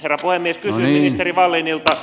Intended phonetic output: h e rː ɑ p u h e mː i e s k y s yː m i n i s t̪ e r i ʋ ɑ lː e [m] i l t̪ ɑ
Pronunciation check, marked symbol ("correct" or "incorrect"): incorrect